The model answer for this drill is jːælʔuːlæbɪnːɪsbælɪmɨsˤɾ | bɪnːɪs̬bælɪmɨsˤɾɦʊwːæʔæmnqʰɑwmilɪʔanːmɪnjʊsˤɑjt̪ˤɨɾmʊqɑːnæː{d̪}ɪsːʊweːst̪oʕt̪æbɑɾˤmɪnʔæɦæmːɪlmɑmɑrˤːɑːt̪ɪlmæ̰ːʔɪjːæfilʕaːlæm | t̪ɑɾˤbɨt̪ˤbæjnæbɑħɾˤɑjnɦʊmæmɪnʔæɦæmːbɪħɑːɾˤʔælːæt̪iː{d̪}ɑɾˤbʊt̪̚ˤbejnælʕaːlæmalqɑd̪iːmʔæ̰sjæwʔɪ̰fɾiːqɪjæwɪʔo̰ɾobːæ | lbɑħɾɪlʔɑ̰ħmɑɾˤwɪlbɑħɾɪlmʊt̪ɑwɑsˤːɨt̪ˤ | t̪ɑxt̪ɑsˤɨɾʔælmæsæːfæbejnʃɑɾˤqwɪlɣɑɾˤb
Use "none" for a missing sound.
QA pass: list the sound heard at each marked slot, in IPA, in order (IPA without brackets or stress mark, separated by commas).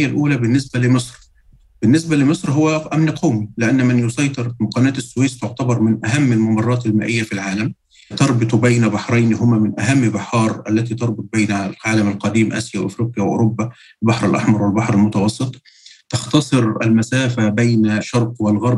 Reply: t̪, t̪